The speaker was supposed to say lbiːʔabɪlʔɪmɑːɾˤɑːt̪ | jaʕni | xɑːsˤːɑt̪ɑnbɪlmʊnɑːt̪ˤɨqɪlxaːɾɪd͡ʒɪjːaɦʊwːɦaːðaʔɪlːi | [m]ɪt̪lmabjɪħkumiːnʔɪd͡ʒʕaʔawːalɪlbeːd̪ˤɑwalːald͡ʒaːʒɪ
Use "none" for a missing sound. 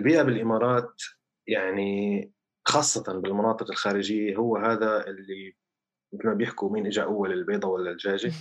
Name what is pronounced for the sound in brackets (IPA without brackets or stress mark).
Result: m